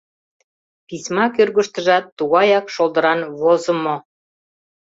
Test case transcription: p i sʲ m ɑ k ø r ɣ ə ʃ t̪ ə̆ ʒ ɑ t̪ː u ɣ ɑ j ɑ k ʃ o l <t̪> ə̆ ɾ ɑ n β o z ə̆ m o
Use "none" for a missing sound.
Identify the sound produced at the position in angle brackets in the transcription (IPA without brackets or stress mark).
d̪